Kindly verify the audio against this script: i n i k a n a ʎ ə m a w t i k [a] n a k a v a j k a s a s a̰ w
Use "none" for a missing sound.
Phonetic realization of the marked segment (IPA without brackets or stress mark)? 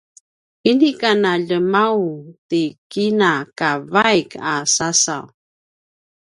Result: i